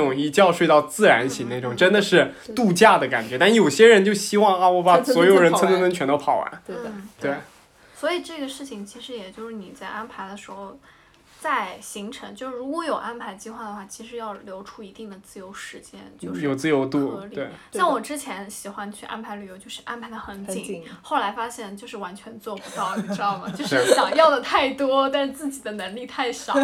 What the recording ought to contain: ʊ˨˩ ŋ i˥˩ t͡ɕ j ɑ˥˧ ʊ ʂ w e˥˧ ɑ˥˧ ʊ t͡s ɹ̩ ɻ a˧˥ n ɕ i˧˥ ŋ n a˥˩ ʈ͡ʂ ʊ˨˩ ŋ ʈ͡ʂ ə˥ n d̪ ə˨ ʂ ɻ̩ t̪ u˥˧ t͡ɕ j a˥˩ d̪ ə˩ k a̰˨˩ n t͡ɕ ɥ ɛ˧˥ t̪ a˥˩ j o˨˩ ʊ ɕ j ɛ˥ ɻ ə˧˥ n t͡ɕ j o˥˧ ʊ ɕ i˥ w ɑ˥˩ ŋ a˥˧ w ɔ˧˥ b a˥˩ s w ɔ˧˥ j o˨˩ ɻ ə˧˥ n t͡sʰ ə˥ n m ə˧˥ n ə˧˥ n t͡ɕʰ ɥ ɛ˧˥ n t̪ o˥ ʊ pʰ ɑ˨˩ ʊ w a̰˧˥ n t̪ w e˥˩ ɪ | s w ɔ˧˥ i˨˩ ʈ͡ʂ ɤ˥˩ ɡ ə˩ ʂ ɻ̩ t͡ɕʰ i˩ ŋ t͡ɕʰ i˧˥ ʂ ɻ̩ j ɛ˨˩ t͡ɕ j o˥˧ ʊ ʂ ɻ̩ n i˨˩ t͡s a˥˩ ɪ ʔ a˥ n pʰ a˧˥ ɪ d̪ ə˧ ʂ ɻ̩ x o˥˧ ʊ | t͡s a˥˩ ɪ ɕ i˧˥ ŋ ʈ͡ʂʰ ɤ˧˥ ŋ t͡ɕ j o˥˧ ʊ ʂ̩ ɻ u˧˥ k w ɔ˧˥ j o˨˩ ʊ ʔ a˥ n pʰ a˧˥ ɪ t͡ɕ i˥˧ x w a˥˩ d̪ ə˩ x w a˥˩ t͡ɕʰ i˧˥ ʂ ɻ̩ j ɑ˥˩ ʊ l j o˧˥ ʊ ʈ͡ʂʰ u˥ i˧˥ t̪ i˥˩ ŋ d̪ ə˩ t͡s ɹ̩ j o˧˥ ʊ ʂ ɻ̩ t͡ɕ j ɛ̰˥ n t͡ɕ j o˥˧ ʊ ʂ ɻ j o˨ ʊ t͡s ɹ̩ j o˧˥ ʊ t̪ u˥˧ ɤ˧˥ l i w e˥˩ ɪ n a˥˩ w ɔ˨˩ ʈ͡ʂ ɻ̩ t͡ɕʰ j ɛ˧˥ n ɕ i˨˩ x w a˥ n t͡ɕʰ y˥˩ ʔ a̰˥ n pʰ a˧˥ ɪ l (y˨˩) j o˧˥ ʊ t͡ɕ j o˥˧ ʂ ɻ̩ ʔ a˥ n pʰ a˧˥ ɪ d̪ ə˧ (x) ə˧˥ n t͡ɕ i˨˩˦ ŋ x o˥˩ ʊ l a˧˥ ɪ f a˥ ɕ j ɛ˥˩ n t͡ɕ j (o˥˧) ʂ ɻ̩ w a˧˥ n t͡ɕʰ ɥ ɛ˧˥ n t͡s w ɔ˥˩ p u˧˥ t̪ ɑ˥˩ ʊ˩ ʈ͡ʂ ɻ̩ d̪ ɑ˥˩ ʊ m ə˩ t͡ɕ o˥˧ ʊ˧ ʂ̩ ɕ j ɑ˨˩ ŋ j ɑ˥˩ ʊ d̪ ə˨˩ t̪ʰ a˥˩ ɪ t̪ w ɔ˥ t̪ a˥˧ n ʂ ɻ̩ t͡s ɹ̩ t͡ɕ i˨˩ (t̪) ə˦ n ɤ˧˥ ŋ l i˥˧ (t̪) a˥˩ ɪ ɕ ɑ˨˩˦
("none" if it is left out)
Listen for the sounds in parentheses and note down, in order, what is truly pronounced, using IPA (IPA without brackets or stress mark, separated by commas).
y˨˩, x, o˥˧, d̪, t̪ʰ